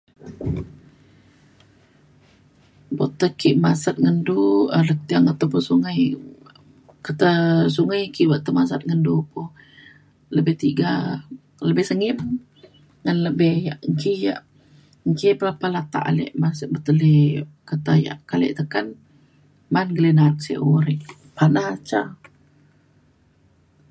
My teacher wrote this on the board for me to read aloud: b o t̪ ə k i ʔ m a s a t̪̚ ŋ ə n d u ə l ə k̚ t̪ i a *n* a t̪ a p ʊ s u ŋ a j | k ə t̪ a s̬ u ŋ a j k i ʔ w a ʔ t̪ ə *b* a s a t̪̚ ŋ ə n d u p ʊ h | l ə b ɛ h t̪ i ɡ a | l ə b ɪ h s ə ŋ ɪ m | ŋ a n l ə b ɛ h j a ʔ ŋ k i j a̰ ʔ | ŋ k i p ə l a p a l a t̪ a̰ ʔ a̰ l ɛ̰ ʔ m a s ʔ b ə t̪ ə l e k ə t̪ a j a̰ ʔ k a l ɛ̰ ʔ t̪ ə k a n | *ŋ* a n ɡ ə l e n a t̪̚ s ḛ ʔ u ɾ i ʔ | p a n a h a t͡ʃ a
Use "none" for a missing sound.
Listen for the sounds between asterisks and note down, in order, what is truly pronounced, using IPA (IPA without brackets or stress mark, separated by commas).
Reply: ŋ, m, m